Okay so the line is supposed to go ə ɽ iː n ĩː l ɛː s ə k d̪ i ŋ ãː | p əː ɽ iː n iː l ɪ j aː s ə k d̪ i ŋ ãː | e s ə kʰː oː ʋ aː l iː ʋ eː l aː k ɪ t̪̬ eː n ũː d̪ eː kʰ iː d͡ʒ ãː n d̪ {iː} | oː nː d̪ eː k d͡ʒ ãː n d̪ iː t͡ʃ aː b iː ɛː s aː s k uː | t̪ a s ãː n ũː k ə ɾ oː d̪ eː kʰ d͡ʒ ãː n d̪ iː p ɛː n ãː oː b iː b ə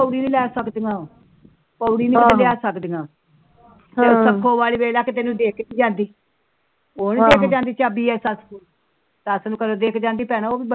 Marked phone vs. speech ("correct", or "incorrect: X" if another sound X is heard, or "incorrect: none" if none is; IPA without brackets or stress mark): correct